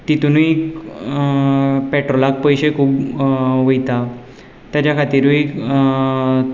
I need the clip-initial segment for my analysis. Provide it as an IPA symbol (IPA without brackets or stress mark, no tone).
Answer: t̪